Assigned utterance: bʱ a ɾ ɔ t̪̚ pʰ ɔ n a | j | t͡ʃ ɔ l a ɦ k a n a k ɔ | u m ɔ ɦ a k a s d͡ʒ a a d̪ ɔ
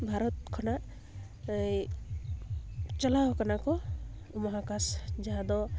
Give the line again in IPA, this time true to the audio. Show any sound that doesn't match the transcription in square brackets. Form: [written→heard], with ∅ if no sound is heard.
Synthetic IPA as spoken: bʱ a ɾ ɔ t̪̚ [pʰ→kʰ] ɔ n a | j | t͡ʃ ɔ l a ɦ k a n a k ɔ | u m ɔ ɦ a k a s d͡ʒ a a d̪ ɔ